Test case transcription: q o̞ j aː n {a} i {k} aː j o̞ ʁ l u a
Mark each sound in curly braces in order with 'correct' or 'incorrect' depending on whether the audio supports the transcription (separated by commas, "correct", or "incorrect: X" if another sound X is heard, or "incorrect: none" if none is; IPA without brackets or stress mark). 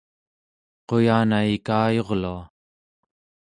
correct, correct